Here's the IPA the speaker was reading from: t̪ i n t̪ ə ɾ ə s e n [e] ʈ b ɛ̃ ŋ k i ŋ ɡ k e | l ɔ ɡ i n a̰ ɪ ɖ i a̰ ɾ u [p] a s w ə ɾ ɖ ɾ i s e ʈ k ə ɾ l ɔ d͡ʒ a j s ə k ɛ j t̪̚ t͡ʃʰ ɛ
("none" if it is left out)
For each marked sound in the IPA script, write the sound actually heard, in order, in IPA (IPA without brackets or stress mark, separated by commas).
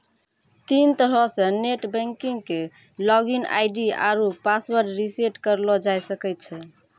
e, p